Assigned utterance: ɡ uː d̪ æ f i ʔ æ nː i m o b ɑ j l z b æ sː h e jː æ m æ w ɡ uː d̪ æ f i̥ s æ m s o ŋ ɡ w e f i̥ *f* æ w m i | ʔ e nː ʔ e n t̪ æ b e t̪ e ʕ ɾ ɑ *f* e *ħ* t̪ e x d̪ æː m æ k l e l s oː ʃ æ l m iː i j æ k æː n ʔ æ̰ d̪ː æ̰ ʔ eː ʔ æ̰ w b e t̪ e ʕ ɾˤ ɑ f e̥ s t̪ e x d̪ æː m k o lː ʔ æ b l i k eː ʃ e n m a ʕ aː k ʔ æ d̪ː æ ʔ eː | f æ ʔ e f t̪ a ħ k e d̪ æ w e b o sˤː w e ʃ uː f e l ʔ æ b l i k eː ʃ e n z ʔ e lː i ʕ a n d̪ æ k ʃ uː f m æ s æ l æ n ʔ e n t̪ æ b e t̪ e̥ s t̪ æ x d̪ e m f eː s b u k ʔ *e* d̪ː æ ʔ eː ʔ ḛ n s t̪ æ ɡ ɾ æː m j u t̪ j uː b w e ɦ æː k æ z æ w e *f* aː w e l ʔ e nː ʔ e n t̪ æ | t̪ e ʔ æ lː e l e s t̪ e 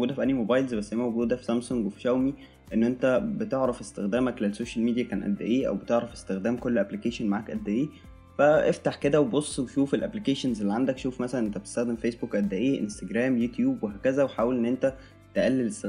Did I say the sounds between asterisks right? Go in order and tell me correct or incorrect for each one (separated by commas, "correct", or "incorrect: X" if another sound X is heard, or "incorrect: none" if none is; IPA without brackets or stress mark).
incorrect: ʃ, correct, incorrect: s, incorrect: æ, incorrect: ħ